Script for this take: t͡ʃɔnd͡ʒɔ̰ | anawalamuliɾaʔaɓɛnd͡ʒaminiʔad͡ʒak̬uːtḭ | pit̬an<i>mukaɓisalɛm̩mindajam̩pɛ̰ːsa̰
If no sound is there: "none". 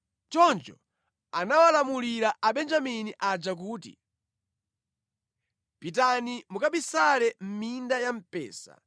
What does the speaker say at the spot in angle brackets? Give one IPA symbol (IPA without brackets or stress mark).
i